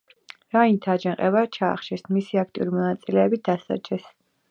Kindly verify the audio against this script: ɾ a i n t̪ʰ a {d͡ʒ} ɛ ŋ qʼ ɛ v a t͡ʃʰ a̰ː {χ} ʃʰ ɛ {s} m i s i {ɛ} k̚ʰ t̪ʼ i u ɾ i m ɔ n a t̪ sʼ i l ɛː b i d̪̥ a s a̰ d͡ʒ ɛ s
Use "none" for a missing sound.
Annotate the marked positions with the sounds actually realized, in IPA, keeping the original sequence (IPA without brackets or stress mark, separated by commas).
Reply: d͡ʒ, χ, s, a